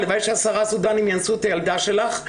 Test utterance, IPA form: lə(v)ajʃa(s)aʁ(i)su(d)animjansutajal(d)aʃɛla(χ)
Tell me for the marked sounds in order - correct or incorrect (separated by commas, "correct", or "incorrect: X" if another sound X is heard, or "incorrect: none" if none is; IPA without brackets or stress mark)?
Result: correct, correct, incorrect: a, correct, correct, correct